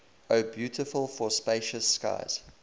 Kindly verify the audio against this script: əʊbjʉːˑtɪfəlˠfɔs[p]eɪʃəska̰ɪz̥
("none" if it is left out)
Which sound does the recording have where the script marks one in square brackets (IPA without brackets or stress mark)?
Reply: p